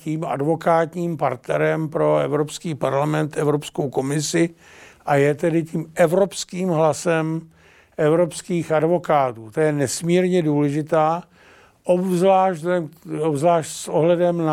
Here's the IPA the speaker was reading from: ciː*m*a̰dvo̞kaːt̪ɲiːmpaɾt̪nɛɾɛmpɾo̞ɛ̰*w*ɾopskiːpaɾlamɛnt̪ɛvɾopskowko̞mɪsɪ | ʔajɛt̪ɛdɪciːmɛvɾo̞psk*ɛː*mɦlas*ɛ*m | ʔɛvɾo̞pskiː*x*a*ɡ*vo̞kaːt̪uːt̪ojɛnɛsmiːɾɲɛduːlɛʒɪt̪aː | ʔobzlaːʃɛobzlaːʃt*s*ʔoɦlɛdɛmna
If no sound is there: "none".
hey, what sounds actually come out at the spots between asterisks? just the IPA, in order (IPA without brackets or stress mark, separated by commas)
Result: m, v, iː, ɛ, x, d, s